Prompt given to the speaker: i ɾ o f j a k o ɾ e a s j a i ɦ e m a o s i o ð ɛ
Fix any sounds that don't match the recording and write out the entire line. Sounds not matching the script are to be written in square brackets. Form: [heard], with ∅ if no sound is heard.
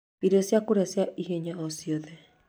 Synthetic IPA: i ɾ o [s] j a k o ɾ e a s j a i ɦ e [ɲ] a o s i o ð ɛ